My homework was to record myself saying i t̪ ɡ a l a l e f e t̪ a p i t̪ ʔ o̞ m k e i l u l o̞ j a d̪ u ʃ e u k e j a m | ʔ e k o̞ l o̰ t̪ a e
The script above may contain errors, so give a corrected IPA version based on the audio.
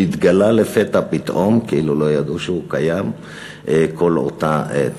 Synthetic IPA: i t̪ ɡ a l a l e f e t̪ a p i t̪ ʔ o̞ m k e i l u l o̞ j a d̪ u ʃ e u k a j a m | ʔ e k o̞ l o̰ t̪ a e

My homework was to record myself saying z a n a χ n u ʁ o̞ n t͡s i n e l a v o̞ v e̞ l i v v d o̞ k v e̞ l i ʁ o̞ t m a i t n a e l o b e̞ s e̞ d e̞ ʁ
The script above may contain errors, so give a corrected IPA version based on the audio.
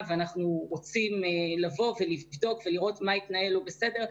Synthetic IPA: v a n a χ n u ʁ o̞ t͡s i m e l a v o̞ v e̞ l i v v d o̞ k v e̞ l i ʁ o̞ t m a i t n a e l o b e̞ s e̞ d e̞ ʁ

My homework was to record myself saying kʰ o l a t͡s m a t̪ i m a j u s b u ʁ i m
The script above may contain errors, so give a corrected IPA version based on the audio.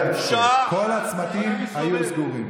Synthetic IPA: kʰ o l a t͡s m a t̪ i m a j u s ɡ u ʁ i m

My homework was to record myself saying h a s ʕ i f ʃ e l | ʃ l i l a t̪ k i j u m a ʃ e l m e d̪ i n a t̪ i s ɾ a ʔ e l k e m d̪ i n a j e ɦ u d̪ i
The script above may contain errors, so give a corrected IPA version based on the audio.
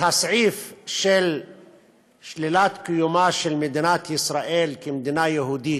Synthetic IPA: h a s ʕ i f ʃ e l | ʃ l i l a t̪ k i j u m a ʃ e l m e d̪ i n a t̪ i s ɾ a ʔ e l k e m d̪ i n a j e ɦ u d̪ i

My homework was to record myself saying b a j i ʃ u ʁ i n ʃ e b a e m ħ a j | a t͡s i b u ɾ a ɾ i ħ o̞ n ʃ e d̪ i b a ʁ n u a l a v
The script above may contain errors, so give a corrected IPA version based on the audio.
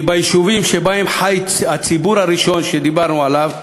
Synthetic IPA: b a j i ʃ u v i m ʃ e b a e m ħ a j | a t͡s i b u ɾ a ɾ i ʃ o̞ n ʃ e d̪ i b a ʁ n u a l a v

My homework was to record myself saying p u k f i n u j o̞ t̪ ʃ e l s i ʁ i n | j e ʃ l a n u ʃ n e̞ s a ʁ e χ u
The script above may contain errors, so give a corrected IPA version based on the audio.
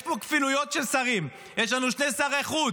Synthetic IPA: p o k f i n u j o̞ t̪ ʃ e l s a ʁ i m | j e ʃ l a n u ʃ n e̞ s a ʁ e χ u

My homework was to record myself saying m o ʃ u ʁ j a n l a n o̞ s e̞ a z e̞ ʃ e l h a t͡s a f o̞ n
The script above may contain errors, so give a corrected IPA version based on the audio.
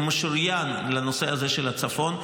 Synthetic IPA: m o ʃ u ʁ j a n l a n o̞ s e̞ a z e̞ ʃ e l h a t͡s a f o̞ n

